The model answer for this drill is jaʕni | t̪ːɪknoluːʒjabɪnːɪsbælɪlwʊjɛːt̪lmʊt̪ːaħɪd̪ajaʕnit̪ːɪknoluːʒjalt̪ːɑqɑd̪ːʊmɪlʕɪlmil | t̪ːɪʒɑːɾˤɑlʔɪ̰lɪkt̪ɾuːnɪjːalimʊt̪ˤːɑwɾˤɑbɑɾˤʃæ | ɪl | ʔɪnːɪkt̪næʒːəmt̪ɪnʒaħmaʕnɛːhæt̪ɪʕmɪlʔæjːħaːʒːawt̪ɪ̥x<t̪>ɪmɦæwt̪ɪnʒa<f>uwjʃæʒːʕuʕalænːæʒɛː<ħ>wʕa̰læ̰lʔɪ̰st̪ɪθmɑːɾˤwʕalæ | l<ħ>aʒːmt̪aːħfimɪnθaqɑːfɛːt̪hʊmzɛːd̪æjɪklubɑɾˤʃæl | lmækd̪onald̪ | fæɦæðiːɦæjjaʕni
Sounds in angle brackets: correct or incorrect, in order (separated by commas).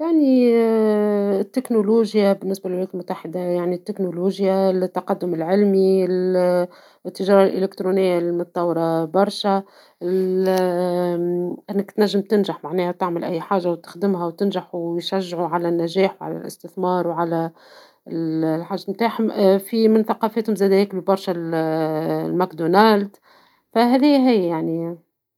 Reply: incorrect, incorrect, correct, correct